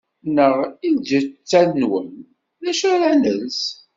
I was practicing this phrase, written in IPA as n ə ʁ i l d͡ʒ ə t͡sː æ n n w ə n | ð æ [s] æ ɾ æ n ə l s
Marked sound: incorrect: ʃ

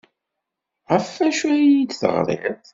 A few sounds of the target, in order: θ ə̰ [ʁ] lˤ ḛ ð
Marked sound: correct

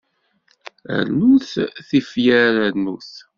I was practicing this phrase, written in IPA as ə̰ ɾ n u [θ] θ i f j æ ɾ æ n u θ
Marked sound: correct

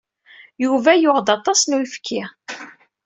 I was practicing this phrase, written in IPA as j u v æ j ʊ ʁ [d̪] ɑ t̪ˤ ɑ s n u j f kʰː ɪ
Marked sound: correct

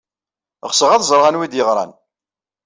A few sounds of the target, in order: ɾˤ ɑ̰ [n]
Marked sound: correct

